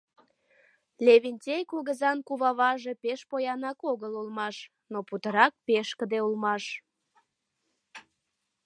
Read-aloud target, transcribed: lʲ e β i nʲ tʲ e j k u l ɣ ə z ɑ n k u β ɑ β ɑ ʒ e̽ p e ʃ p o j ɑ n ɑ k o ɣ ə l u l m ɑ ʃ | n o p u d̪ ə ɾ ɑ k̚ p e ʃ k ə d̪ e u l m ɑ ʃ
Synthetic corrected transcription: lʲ e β i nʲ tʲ e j k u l ɣ ə z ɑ n k u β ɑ β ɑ ʒ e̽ p e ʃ p o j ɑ n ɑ k o ɣ ə l u l m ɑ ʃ | n o p u t̪ ə ɾ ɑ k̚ p e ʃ k ə d̪ e u l m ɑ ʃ